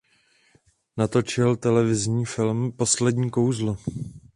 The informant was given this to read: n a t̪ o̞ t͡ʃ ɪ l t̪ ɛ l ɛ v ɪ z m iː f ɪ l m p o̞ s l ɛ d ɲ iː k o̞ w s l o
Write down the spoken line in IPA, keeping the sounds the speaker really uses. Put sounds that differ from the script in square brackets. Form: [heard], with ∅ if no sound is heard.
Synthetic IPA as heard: n a t̪ o̞ t͡ʃ ɪ l t̪ ɛ l ɛ v ɪ z [ɲ] iː f ɪ l m p o̞ s l ɛ d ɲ iː k o̞ w [z] l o